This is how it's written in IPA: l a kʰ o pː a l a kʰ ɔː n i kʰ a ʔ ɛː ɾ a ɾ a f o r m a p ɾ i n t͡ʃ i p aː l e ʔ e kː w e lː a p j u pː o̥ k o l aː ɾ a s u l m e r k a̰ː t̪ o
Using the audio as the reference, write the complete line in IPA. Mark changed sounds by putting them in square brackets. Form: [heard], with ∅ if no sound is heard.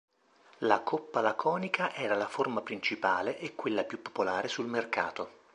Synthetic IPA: l a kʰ o pː a l a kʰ ɔː n i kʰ a ʔ ɛː ɾ a [l] a f o r m a p ɾ i n t͡ʃ i p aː l e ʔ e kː w e lː a p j u pː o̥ [p] o l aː ɾ [e] s u l m e r k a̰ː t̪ o